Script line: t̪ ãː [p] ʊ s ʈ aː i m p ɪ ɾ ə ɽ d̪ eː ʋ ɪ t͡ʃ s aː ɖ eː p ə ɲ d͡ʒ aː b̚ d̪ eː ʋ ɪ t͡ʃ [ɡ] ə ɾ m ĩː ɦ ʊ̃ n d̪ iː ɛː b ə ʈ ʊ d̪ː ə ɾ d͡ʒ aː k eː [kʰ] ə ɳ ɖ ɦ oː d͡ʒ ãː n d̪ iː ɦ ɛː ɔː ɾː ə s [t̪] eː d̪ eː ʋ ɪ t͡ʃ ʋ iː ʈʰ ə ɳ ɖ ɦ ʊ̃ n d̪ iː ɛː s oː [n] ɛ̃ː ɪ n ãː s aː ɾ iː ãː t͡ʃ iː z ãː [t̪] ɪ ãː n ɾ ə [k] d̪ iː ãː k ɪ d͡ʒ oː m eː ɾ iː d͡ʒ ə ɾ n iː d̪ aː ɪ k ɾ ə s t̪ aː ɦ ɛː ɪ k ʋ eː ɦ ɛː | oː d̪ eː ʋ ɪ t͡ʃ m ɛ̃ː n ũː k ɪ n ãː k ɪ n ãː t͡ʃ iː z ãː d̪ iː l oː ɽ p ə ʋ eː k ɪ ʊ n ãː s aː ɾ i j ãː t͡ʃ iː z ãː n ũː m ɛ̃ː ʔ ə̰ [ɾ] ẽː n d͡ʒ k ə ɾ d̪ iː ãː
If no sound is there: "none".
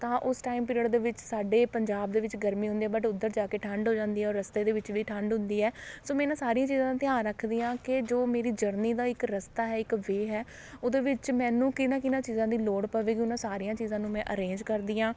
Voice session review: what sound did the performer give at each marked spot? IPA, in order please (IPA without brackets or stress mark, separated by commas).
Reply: ʔ, ɡ, ʈʰ, t̪, m, t̪, kʰ, ɾ